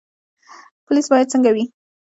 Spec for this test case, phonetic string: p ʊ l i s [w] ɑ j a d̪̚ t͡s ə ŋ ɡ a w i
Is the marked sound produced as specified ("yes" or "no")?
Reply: no